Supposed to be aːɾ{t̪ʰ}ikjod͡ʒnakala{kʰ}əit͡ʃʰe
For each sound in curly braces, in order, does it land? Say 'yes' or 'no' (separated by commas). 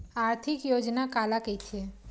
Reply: yes, no